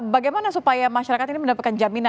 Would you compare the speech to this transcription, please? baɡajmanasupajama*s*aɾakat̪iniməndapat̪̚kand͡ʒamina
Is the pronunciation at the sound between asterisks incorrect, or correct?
incorrect